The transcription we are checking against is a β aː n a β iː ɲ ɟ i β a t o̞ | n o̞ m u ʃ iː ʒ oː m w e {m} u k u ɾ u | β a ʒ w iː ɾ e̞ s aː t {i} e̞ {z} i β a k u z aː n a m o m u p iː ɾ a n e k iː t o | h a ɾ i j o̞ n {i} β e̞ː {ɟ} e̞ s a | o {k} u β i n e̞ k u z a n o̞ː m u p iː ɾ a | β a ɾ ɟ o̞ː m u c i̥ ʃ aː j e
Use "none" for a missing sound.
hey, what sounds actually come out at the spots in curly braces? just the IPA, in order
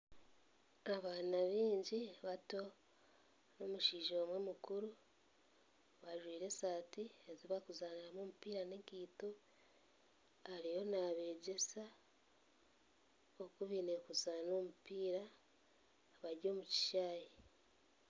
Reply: m, i, z, a, ɟ, k

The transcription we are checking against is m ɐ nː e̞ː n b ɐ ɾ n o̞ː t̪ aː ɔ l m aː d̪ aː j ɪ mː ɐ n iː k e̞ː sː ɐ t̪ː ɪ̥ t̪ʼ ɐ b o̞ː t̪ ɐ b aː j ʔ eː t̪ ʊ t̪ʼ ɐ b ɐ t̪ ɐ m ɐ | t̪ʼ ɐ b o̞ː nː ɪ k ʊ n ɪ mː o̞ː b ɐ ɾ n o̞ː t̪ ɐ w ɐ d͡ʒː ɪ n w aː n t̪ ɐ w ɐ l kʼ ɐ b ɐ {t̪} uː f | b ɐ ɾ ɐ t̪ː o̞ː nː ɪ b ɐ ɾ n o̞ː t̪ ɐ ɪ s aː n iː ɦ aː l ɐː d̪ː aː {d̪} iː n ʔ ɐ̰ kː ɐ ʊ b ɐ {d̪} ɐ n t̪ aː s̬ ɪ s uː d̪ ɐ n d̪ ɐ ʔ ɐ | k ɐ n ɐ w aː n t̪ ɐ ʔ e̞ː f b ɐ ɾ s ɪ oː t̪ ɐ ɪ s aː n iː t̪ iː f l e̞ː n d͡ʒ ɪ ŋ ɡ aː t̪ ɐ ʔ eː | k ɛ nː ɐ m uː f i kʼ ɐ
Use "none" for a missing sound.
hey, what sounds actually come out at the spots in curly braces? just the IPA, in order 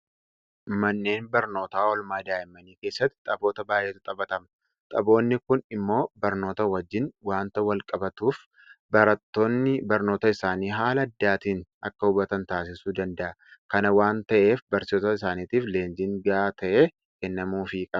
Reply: t̪, t̪, t̪

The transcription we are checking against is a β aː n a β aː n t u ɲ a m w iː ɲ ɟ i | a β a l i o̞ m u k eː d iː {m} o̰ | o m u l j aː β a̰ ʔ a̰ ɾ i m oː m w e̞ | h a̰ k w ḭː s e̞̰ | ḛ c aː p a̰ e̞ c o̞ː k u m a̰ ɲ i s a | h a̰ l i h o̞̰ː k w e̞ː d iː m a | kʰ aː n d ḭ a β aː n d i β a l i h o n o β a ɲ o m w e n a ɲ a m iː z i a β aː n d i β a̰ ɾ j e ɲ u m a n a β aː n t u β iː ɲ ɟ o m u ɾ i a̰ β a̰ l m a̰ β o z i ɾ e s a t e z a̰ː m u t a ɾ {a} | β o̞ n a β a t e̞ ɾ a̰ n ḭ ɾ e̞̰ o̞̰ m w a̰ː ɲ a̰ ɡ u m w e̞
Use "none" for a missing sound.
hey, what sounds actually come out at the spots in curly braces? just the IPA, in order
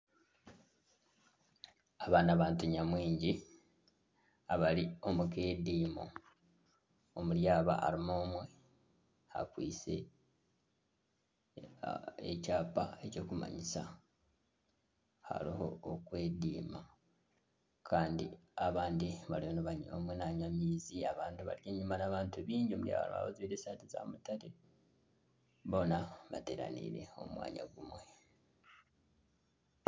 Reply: m, e

